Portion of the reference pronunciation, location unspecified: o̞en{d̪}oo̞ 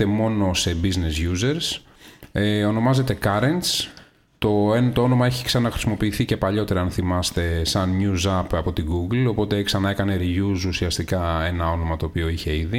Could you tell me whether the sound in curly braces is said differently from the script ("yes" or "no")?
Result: yes